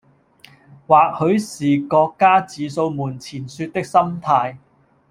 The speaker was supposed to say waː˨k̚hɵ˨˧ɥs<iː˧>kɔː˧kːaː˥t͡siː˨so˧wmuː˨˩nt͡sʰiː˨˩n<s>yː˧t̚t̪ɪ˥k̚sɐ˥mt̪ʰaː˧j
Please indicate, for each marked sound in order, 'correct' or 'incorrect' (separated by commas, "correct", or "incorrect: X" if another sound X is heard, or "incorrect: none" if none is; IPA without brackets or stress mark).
incorrect: iː˨˩, correct